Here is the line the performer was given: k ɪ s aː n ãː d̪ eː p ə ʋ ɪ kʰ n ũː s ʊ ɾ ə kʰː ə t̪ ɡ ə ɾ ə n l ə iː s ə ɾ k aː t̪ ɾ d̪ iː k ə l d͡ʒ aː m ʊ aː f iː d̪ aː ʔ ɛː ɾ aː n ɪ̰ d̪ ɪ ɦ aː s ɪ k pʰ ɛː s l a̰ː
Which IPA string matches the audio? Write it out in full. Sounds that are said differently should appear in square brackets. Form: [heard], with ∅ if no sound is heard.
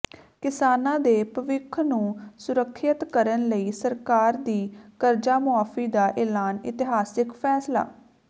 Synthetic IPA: k ɪ s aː n ãː d̪ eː p ə ʋ ɪ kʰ n ũː s ʊ ɾ ə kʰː ə t̪ [k] ə ɾ ə n l ə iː s ə ɾ k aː [∅] ɾ d̪ iː k ə [ɾ] d͡ʒ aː m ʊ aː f iː d̪ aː ʔ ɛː [l] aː n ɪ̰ [t̪] ɪ ɦ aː s ɪ k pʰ ɛː s l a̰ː